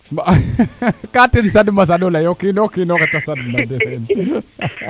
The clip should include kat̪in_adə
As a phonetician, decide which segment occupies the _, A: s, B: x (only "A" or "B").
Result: A